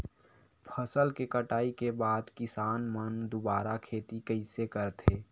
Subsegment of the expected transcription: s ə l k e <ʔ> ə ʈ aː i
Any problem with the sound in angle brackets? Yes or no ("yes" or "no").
yes